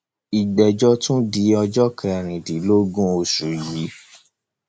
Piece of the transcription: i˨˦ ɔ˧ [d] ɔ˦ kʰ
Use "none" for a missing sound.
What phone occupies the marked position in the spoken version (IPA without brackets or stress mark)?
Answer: d͡ʒ